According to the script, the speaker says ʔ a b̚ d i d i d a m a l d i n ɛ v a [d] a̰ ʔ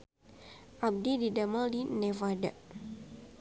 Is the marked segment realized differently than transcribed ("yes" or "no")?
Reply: no